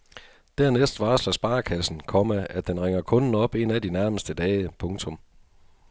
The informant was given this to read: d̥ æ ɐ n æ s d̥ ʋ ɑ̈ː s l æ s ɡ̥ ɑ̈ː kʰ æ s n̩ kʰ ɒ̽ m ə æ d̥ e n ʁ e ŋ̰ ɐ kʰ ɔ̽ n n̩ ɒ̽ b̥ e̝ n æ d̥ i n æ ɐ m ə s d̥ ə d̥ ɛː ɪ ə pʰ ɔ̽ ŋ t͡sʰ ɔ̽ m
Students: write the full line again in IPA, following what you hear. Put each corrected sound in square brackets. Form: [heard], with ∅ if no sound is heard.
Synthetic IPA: d̥ æ ɐ n [e] s d̥ ʋ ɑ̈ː s l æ s [b̥] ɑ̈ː kʰ æ s n̩ kʰ ɒ̽ m ə æ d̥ e n ʁ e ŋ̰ ɐ kʰ ɔ̽ n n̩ ɒ̽ b̥ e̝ n æ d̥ i n æ ɐ m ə s d̥ ə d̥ ɛː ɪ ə pʰ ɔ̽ ŋ t͡sʰ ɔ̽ m